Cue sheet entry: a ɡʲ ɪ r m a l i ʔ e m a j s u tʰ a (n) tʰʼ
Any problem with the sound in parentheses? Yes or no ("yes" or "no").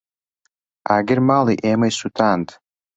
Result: no